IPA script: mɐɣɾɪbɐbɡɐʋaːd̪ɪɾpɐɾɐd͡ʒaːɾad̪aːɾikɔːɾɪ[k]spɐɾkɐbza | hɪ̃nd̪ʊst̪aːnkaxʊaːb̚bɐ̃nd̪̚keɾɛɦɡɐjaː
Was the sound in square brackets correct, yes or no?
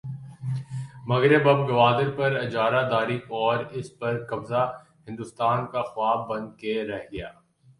no